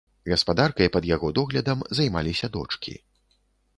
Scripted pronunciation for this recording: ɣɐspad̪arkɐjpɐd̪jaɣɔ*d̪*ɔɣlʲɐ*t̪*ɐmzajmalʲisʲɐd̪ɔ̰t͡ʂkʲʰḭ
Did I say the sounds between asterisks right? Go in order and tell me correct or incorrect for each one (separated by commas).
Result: correct, incorrect